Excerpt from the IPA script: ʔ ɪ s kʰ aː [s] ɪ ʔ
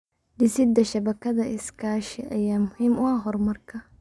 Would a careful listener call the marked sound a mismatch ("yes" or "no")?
yes